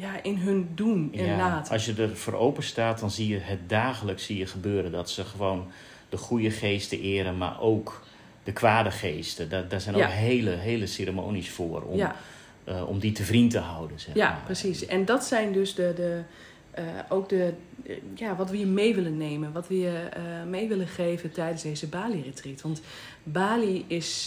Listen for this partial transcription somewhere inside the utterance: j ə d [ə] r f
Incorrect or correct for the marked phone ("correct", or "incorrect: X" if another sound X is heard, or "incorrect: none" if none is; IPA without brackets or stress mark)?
correct